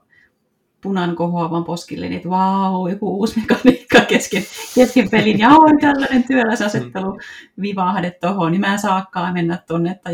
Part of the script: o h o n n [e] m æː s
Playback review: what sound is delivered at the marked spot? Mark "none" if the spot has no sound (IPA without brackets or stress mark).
i